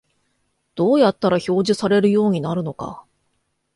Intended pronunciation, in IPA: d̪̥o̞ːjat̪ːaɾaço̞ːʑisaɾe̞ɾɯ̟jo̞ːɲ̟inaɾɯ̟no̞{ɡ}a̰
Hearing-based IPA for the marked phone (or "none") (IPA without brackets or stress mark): k